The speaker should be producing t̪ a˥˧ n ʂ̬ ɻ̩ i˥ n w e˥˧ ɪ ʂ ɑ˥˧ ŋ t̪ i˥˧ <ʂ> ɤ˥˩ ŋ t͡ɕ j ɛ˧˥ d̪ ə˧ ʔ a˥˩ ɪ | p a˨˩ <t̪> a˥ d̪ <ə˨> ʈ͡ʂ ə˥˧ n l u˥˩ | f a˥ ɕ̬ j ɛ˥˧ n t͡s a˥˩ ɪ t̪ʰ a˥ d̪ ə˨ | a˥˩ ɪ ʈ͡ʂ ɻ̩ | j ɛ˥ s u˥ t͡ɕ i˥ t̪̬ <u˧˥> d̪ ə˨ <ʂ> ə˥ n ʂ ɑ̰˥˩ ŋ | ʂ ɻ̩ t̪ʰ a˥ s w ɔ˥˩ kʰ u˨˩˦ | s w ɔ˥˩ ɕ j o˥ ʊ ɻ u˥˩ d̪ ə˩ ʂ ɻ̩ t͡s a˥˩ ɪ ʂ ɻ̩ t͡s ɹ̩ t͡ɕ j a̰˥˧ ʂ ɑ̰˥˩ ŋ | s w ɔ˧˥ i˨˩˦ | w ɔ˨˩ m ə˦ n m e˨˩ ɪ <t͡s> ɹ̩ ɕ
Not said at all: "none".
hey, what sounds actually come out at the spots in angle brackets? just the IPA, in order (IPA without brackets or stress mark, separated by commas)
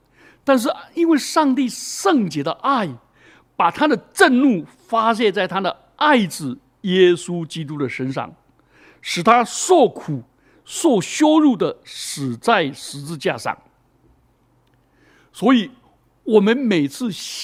ʂ, t̪ʰ, ə˨, u˥, ʂ, t͡sʰ